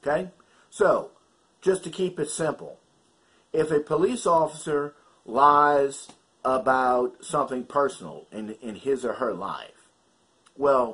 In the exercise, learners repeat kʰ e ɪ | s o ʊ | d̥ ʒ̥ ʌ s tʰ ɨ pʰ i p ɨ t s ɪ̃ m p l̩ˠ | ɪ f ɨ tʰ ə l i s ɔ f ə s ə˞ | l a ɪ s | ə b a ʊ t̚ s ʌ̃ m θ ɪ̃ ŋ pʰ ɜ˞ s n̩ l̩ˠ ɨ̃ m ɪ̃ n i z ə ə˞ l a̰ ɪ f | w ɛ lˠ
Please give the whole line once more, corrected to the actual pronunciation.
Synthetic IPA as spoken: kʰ e ɪ | s o ʊ | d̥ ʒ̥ ʌ s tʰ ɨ kʰ i p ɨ t s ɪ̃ m p l̩ˠ | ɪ f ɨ pʰ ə l i s ɔ f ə s ə˞ | l a ɪ z | ə b a ʊ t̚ s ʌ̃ m θ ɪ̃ ŋ pʰ ɜ˞ s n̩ l̩ˠ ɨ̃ n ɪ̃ n ɪ z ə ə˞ l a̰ ɪ f | w ɛ lˠ